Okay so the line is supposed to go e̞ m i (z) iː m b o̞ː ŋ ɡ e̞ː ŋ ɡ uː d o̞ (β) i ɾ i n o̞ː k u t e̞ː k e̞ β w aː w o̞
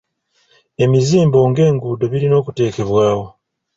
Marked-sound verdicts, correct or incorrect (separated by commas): correct, correct